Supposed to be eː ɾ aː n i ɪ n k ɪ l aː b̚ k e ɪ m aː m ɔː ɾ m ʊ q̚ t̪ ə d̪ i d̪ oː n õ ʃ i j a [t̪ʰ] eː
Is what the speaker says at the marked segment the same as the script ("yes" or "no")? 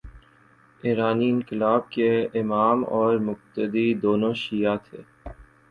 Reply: yes